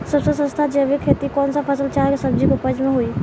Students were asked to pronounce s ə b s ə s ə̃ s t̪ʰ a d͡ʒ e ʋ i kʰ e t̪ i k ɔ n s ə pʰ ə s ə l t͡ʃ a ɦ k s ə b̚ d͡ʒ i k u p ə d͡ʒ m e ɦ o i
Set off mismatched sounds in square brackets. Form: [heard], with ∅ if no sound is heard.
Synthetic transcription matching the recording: s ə b s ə s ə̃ s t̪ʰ a d͡ʒ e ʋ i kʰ e t̪ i k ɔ n s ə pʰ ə s ə l t͡ʃ a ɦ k s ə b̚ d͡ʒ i k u p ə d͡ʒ m e ɦ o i